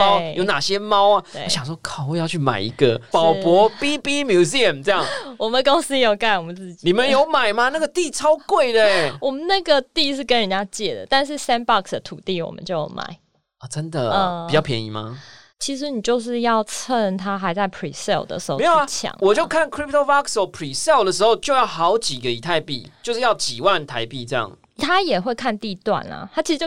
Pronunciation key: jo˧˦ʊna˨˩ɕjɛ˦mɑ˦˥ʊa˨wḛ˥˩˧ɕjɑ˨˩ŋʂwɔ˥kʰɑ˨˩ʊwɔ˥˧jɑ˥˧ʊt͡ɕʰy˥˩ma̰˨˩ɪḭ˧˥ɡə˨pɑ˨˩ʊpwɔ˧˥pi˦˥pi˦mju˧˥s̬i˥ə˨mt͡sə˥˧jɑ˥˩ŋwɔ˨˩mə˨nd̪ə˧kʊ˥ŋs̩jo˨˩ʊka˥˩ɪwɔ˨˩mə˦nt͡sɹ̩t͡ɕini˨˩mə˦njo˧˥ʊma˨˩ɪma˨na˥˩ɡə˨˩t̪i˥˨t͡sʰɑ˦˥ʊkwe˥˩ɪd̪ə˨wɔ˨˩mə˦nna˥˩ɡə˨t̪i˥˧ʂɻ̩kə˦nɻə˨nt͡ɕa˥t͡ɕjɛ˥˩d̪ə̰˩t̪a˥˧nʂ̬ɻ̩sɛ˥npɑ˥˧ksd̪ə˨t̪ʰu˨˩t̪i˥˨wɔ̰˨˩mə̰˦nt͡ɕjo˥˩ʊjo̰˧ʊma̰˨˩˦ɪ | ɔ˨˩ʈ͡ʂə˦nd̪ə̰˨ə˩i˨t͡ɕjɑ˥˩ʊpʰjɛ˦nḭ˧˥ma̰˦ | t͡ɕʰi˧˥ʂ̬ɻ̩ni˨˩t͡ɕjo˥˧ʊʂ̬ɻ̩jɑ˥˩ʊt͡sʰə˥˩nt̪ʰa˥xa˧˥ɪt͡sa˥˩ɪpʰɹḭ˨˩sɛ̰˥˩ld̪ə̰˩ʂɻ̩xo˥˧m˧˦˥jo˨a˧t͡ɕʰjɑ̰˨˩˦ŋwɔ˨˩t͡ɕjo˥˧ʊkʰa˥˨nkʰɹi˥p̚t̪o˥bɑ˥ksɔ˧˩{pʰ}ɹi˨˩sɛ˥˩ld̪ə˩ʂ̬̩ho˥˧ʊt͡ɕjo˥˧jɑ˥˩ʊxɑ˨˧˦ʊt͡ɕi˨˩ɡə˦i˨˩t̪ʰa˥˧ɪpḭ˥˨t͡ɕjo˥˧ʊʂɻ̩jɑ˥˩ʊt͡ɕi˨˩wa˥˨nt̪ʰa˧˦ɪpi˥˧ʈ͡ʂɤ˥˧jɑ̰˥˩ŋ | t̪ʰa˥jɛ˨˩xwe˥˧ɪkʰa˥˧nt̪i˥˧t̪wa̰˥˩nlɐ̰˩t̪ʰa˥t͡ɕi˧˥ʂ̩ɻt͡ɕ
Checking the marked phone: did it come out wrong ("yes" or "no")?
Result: no